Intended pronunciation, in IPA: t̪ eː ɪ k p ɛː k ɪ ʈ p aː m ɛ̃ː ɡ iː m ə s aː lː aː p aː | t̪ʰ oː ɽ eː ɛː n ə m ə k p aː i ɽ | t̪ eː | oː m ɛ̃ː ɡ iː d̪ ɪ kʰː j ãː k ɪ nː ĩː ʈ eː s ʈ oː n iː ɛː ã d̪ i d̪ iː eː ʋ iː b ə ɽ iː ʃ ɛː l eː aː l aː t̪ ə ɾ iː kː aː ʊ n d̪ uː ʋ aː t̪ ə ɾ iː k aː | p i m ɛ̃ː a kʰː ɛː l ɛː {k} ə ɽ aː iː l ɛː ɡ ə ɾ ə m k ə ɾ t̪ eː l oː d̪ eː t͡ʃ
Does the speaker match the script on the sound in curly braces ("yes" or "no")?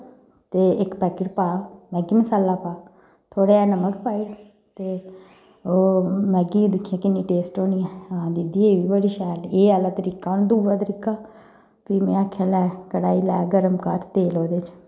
yes